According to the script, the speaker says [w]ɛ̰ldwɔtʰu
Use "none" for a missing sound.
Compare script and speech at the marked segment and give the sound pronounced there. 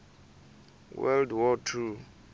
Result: w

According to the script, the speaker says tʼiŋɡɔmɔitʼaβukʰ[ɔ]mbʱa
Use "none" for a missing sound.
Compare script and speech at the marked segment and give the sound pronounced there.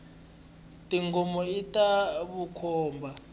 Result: ɔː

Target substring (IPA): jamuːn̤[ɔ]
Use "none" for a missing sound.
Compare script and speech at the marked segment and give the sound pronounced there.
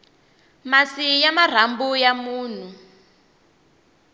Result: u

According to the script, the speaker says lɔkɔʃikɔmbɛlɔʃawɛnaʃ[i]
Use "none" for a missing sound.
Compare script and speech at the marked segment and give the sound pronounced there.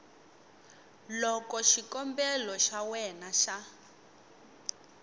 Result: a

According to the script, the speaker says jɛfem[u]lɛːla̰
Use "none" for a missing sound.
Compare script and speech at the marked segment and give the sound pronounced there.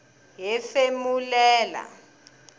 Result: u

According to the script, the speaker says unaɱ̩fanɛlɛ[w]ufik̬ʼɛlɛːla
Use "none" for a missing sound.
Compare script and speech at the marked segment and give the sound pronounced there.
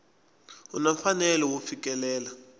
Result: w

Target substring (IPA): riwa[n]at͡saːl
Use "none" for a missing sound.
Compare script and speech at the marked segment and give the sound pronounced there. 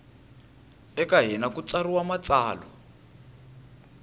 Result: m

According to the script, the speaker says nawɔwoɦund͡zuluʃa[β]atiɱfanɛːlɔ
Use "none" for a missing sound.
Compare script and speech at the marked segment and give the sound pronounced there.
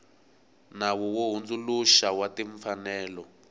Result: w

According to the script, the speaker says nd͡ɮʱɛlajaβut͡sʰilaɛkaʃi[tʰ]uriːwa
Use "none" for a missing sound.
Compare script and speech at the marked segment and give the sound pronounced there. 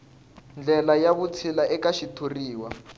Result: tʰ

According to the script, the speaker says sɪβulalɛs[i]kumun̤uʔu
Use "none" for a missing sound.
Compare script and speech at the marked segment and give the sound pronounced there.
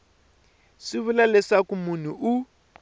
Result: a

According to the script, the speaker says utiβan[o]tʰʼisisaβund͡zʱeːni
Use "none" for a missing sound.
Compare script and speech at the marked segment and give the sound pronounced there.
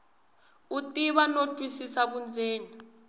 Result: o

